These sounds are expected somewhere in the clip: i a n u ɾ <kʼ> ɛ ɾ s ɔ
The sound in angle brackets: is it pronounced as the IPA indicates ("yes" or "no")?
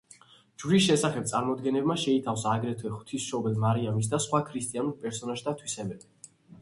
no